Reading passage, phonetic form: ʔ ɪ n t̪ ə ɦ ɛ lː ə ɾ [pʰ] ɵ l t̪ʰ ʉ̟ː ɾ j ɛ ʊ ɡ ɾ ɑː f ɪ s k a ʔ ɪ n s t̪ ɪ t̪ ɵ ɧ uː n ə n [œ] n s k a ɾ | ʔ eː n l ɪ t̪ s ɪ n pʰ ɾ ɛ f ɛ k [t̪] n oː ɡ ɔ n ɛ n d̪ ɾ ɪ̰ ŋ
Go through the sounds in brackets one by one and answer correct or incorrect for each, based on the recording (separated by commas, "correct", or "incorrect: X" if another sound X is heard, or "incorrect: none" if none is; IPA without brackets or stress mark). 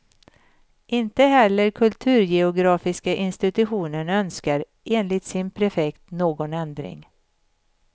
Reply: incorrect: kʰ, correct, correct